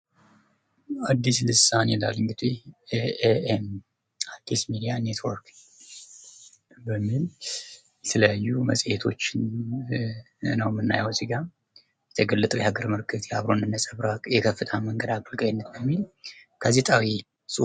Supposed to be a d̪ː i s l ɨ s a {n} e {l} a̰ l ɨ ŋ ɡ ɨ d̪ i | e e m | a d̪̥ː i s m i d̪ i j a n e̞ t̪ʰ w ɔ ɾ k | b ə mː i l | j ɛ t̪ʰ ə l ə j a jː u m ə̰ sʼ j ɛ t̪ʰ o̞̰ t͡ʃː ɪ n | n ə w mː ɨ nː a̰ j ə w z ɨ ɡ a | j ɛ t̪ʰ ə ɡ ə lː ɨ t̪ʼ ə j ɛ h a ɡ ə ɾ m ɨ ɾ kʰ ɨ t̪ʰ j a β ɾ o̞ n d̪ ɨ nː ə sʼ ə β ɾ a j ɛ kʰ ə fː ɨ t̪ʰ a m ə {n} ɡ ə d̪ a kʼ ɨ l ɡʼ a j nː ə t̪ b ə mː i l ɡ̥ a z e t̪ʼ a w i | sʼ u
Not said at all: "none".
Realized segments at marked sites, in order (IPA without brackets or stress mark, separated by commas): n, l, ŋ